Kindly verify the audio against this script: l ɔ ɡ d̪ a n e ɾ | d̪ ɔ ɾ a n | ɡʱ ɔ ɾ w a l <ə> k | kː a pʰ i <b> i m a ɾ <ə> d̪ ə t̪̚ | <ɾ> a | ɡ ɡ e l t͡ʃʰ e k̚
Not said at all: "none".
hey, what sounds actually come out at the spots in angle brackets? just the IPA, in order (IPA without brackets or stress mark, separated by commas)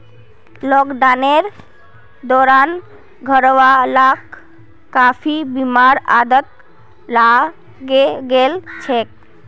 a, b, a, l